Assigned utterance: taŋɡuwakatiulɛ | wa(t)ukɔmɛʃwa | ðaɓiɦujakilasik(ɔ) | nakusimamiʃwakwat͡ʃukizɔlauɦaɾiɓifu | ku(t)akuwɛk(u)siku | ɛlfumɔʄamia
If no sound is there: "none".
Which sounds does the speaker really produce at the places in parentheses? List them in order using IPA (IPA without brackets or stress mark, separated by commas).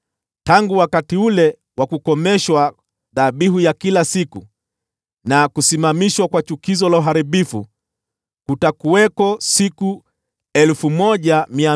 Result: k, u, t, ɔ